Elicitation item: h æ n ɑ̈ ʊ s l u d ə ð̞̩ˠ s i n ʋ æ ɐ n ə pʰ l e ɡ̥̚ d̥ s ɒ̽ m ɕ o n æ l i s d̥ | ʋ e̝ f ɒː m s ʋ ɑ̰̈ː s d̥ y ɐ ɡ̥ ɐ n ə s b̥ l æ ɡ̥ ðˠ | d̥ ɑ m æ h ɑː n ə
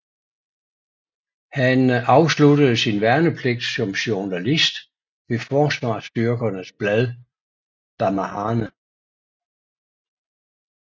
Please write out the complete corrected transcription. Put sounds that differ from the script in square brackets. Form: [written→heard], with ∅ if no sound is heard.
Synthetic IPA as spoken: h æ n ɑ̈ ʊ s l u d ə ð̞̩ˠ s i n ʋ æ ɐ n ə pʰ l e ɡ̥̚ d̥ s ɒ̽ m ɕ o n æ l i s d̥ | ʋ e̝ f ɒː [m→∅] s ʋ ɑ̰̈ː s d̥ y ɐ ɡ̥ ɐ n ə s b̥ l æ [ɡ̥→∅] ðˠ | d̥ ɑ m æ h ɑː n ə